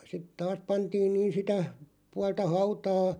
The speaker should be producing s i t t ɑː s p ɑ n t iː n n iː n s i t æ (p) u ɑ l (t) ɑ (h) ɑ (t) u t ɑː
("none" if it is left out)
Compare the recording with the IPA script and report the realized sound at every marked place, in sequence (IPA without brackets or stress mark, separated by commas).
p, t, h, none